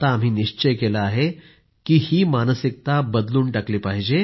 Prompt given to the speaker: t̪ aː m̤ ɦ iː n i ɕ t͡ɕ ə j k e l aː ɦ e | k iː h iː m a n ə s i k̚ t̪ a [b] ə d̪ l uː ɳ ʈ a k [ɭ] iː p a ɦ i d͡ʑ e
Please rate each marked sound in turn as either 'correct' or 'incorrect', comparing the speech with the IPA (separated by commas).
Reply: correct, incorrect